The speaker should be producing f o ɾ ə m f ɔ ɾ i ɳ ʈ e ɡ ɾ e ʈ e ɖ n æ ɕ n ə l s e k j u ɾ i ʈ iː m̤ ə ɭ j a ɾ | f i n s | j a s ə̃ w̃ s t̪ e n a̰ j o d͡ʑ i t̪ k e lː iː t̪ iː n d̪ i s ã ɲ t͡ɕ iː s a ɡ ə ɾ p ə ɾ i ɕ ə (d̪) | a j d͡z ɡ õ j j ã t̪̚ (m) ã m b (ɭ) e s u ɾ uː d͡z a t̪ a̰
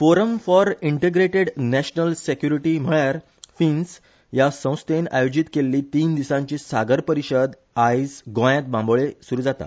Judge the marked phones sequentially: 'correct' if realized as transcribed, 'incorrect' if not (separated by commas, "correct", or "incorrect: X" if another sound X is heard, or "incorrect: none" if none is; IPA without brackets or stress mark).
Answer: correct, incorrect: b, correct